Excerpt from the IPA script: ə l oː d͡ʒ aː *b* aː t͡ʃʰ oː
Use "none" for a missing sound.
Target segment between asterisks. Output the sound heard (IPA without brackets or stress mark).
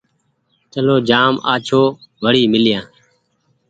m